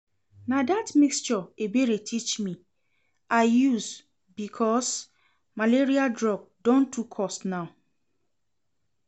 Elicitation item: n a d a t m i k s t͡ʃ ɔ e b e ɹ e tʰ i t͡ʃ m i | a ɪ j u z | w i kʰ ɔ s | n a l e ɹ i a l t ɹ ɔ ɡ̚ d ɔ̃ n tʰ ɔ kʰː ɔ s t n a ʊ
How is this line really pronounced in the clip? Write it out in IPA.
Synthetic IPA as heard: n a d a t m i k s t͡ʃ ɔ e b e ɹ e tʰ i t͡ʃ m i | a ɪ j u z | b i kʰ ɔ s | m a l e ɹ i a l d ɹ ɔ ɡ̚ d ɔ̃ n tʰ u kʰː ɔ s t n a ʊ